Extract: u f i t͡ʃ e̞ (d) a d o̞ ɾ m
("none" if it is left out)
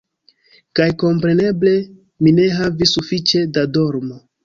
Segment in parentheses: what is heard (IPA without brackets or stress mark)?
d